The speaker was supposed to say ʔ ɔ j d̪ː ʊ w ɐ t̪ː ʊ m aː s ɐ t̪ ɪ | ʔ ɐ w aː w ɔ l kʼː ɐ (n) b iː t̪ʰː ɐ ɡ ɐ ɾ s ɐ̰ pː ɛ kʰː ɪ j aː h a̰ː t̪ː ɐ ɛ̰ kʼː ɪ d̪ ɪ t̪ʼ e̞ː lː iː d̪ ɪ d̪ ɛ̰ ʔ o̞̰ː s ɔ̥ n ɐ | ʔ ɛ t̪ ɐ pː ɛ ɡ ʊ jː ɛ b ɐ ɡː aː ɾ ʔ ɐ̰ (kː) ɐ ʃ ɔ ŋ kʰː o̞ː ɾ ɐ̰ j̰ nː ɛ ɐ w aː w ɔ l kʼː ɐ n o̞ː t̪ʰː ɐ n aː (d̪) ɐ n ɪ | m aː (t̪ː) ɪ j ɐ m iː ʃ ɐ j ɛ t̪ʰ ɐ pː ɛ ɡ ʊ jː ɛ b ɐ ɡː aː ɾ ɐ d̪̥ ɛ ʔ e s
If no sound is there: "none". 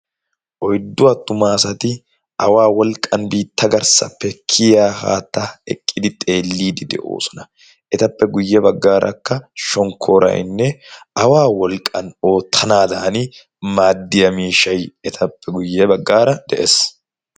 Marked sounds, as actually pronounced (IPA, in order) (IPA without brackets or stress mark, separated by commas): n, kː, d̪, d̪ː